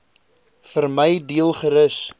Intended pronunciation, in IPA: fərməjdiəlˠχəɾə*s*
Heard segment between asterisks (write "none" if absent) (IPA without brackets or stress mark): s